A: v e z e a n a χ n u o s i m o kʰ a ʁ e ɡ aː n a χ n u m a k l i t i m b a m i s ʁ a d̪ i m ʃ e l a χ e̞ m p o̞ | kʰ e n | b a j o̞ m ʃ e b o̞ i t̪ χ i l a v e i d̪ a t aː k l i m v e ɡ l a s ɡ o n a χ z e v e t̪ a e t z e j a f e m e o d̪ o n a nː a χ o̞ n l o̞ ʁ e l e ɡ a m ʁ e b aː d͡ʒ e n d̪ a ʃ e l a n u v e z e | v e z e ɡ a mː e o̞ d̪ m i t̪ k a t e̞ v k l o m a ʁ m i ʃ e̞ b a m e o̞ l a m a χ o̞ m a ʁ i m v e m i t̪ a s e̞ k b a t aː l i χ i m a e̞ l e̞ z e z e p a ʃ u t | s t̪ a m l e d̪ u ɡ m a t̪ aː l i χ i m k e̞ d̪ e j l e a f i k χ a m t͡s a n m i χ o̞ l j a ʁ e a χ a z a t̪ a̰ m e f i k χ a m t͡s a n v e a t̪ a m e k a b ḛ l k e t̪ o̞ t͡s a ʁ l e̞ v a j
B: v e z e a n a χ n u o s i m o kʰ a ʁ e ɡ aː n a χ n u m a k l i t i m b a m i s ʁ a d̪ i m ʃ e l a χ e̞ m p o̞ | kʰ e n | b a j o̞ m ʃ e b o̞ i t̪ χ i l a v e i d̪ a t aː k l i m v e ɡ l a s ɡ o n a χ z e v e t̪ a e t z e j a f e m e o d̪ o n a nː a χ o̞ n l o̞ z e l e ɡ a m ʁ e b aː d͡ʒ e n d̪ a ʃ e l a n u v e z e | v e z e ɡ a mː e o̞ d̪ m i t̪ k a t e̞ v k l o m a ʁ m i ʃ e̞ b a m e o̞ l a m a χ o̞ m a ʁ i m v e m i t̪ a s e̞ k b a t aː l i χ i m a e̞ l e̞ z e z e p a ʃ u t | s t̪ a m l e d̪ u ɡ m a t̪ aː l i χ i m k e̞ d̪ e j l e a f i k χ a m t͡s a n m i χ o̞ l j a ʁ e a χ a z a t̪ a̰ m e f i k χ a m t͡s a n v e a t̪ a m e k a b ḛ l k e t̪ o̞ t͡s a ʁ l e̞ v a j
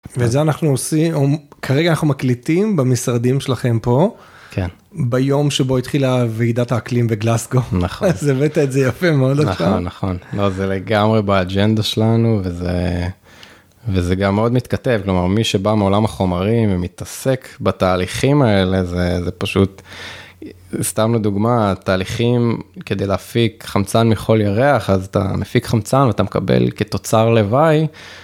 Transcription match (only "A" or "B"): B